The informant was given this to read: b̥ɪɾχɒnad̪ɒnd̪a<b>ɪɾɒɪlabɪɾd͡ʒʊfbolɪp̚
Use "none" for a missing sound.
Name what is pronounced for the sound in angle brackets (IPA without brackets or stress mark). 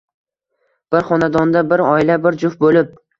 b